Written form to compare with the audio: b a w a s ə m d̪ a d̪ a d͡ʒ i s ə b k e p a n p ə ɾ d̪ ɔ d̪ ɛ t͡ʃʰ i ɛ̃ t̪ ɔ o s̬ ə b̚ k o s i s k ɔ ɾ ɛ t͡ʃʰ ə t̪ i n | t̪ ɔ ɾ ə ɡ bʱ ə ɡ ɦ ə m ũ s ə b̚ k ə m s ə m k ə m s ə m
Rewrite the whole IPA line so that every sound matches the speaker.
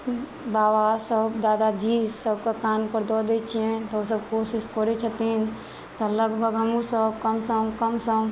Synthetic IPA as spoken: b a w a s ə b d̪ a d̪ a d͡ʒ i s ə b k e k a n p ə ɾ d̪ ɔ d̪ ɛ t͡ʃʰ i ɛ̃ t̪ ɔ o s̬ ə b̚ k o s i s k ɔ ɾ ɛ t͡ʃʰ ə t̪ i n | t̪ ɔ l ə ɡ bʱ ə ɡ ɦ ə m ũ s ə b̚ k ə m s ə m k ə m s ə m